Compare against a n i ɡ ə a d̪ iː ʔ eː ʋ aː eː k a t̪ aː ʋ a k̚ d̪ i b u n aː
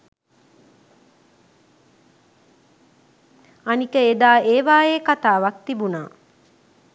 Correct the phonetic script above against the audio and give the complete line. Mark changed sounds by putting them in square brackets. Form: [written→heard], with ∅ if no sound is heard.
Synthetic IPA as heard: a n i [ɡ→k] ə [a→e] d̪ [iː→aː] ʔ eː ʋ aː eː k a t̪ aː ʋ a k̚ [d̪→t̪] i b u n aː